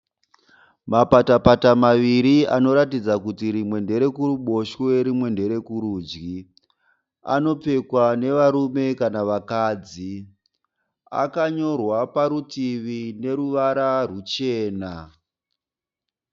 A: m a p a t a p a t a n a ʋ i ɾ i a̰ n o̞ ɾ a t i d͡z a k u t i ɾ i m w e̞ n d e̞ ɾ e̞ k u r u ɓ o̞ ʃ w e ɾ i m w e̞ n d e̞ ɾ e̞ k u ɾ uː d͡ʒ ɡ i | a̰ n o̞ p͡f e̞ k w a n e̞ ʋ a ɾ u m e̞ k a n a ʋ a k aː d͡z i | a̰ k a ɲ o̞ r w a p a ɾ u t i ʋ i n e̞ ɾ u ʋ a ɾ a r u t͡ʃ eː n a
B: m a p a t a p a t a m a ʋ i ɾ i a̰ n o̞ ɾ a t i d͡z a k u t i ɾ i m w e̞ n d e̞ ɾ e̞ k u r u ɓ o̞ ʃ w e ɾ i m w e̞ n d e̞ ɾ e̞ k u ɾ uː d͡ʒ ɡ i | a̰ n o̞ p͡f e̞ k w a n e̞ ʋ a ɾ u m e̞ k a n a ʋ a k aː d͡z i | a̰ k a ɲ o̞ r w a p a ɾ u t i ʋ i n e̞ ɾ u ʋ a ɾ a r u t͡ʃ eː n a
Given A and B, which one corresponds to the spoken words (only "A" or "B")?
B